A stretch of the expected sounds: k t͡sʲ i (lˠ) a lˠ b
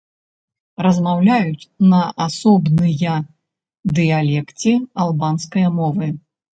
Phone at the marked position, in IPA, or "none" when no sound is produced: none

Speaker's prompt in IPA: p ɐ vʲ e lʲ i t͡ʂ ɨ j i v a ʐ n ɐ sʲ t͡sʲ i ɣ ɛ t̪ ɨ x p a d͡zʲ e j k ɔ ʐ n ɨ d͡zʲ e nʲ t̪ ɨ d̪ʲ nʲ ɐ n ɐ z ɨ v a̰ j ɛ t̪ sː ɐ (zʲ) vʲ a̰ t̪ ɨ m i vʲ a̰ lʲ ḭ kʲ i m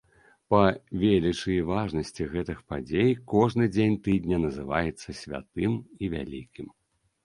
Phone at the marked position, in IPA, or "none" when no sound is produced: sʲ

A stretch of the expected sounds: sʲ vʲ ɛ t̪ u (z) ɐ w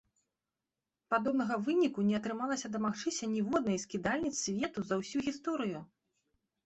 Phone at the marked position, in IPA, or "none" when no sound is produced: z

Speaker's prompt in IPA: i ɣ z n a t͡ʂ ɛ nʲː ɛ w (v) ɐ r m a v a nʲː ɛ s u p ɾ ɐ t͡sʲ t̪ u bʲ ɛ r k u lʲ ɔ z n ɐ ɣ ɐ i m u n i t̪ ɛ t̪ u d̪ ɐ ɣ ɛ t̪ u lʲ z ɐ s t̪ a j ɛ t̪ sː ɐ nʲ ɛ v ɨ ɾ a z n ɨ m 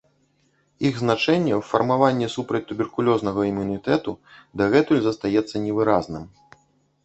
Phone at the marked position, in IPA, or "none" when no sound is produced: f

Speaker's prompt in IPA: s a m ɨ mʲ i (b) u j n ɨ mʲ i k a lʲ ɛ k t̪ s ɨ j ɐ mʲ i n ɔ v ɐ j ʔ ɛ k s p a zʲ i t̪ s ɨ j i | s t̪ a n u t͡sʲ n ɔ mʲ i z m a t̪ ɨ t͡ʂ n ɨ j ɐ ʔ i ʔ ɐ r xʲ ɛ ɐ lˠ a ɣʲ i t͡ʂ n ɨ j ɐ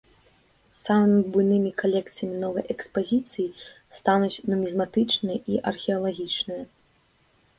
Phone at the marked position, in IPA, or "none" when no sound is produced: b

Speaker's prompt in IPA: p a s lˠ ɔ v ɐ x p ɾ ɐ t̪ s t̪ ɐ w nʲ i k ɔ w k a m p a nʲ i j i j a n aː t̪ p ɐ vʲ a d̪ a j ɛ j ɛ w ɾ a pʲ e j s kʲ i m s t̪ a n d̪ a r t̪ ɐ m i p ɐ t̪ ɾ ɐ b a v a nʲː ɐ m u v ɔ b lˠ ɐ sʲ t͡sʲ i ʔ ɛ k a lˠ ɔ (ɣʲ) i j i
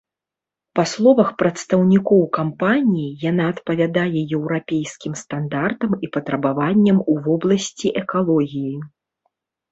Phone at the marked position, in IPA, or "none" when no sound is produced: ɣʲ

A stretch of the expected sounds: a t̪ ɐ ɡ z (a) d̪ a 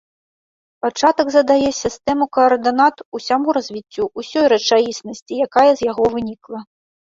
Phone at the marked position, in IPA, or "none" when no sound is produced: ɐ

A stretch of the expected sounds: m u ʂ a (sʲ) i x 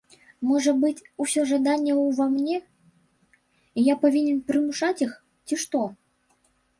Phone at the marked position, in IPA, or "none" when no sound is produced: t͡sʲ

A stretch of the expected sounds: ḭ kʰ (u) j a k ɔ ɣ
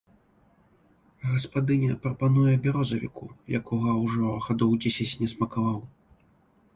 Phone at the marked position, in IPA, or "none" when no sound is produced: u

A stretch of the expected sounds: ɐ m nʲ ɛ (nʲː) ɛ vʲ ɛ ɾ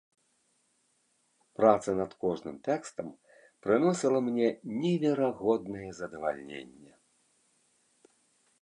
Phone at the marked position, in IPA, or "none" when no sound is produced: nʲ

